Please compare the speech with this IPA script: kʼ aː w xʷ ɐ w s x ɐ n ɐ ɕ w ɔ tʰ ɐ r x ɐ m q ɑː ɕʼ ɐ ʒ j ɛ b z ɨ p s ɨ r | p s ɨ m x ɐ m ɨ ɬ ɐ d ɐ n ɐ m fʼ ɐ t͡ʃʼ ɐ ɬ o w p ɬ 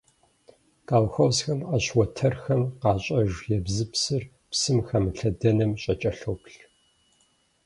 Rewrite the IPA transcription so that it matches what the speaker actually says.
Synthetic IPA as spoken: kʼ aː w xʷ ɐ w s x ɐ m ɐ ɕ w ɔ tʰ ɐ r x ɐ m q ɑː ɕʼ ɐ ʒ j ɛ b z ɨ p s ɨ r | p s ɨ m x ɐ m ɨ ɬ ɐ d ɐ n ɐ m ɕʼ ɐ t͡ʃʼ ɐ ɬ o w p ɬ

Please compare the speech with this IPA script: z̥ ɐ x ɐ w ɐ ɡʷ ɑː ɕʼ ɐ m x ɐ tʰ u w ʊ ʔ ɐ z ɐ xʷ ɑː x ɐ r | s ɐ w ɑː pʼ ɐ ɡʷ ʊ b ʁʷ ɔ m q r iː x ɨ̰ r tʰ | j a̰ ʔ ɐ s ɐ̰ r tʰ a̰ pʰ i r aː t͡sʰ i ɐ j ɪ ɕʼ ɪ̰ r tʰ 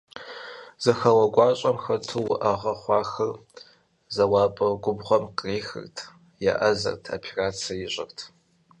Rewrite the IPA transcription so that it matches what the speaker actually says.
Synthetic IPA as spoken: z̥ ɐ x ɐ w ɐ ɡʷ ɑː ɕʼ ɐ m x ɐ tʰ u w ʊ ʔ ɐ ʁ ɐ χʷ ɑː x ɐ r | z ɐ w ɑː pʼ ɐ ɡʷ ʊ b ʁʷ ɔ m q r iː x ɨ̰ r tʰ | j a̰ ʔ ɐ z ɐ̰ r tʰ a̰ pʰ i r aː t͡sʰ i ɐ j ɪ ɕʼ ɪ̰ r tʰ

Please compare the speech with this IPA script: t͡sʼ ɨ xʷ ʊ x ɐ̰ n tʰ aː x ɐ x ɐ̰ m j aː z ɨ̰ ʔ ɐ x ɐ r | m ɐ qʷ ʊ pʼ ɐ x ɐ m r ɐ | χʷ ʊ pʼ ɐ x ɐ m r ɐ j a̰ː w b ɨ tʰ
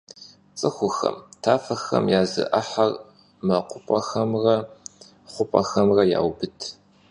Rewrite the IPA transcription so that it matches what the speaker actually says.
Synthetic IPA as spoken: t͡sʼ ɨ xʷ ʊ x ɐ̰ m tʰ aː f ɐ x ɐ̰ m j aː z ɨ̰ ʔ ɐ ħ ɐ r | m ɐ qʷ ʊ pʼ ɐ x ɐ m r ɐ | χʷ ʊ pʼ ɐ x ɐ m r ɐ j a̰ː w b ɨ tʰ

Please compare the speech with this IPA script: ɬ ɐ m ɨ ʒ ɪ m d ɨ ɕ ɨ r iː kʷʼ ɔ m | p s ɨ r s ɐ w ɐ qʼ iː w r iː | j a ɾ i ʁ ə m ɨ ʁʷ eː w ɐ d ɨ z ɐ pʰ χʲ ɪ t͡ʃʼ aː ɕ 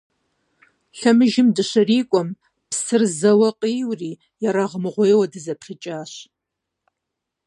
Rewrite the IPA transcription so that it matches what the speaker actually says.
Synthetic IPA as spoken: ɬ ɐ m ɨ ʒ ɪ m d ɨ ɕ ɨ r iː kʷʼ ɔ m | p s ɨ r z ɐ w ɐ qʼ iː w r iː | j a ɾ a ʁ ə m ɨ ʁʷ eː w ɐ d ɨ z ɐ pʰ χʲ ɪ t͡ʃʼ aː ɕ

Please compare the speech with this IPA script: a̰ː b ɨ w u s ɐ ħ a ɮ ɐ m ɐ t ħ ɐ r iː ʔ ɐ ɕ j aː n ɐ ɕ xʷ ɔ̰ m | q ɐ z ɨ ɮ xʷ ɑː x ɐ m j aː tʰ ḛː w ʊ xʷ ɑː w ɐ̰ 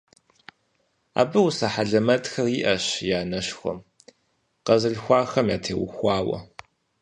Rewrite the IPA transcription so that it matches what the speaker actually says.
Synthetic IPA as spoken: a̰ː b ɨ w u s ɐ ħ a ɮ ɐ m ɐ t x ɐ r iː ʔ ɐ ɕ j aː n ɐ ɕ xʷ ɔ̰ m | q ɐ z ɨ ɮ xʷ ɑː x ɐ m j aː tʰ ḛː w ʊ xʷ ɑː w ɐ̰

